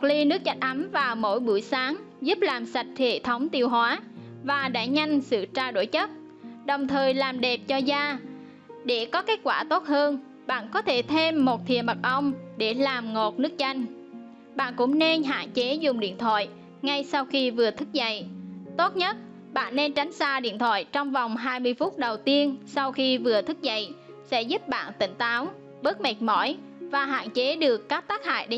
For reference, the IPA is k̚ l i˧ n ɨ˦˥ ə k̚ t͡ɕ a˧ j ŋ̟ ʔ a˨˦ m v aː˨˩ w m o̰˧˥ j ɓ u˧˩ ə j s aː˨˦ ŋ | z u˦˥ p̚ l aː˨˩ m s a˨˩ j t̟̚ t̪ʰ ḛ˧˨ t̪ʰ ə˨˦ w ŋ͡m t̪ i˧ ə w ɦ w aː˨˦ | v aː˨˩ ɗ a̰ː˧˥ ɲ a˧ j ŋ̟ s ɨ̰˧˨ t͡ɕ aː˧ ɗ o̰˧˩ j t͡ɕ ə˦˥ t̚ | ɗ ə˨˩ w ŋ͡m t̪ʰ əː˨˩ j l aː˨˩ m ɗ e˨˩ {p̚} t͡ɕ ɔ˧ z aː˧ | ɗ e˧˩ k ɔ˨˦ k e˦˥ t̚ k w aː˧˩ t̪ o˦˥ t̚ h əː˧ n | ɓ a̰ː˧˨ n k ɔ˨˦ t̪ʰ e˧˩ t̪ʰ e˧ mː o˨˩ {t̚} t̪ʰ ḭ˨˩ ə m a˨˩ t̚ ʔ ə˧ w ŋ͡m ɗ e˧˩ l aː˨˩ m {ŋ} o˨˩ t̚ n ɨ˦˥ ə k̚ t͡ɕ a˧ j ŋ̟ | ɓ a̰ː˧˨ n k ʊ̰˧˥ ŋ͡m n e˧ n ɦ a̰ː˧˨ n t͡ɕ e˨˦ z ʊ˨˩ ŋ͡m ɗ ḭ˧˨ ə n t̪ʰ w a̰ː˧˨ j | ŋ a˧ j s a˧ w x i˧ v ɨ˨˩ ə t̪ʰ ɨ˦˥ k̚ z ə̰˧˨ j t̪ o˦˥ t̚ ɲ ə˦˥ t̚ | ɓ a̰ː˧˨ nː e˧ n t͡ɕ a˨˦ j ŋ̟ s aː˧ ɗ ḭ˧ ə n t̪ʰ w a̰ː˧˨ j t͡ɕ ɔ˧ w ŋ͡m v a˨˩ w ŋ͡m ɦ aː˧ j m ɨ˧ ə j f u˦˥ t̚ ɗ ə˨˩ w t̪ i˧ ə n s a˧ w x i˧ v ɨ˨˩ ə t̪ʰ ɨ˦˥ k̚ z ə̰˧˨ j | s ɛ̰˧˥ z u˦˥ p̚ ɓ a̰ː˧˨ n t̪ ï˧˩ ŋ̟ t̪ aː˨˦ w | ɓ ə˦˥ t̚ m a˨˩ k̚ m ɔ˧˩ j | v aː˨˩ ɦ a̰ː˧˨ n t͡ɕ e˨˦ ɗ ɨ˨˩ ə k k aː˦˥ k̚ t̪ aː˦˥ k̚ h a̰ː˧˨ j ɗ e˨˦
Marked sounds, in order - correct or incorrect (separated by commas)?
correct, correct, correct